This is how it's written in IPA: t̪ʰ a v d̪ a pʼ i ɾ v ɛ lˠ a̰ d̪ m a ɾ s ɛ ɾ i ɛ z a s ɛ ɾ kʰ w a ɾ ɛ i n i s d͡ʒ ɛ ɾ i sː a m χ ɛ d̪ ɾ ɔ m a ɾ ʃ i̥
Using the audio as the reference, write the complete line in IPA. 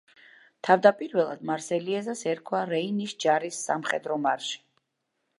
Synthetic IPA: t̪ʰ a v d̪ a pʼ i ɾ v ɛ lˠ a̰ d̪ m a ɾ s ɛ l i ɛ z a s ɛ ɾ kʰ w a ɾ ɛ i n i s d͡ʒ a ɾ i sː a m χ ɛ d̪ ɾ ɔ m a ɾ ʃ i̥